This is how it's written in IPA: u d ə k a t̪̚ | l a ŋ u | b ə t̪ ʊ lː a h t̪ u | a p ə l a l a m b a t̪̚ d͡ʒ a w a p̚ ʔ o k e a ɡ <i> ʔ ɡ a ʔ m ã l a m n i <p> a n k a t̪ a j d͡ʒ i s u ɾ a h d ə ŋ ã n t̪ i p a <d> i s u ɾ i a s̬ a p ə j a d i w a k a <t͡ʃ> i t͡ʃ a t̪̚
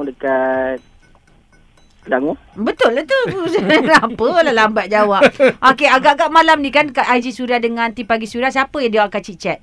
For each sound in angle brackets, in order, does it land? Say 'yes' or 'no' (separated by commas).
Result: no, no, no, yes